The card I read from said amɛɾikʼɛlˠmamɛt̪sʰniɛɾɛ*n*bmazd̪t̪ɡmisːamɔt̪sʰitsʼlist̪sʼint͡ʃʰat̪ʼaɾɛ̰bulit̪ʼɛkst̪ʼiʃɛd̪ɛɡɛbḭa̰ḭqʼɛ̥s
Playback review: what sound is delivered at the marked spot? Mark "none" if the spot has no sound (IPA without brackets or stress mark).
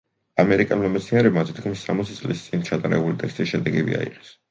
none